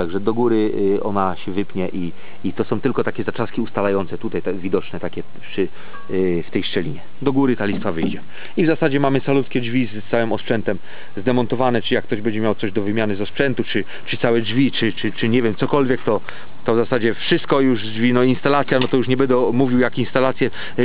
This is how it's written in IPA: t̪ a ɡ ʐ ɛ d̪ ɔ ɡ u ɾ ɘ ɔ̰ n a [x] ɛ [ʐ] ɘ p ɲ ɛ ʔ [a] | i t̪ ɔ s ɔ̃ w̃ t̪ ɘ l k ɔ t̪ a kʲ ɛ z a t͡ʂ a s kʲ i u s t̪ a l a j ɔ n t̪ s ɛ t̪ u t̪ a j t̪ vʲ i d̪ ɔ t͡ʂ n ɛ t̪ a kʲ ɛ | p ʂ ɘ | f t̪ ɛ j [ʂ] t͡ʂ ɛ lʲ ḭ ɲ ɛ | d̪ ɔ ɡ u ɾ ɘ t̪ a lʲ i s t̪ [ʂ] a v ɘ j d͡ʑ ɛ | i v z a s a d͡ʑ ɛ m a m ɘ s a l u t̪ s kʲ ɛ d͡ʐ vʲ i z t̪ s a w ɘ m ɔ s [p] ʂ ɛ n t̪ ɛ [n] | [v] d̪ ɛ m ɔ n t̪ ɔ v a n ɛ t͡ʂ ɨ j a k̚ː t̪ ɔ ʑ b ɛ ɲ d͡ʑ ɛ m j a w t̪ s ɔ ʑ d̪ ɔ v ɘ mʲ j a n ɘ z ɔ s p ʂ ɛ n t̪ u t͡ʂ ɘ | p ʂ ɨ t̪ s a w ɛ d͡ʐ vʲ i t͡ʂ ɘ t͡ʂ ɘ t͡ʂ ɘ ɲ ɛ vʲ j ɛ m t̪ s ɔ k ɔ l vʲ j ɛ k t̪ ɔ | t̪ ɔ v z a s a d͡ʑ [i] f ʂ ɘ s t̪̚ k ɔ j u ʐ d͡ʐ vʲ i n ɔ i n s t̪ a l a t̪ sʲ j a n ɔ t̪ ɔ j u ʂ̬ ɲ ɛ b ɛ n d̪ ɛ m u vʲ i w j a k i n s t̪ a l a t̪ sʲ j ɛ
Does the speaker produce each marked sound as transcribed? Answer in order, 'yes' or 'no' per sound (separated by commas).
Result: no, no, no, yes, no, yes, no, no, no